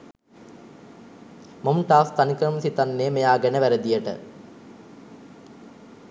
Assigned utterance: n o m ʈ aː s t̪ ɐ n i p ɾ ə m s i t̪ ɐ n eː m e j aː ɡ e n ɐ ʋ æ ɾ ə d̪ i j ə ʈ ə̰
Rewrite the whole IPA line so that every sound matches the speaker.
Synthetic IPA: m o m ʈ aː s t̪ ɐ n i k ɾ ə m s i t̪ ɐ nː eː m e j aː ɡ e n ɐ ʋ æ ɾ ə d̪ i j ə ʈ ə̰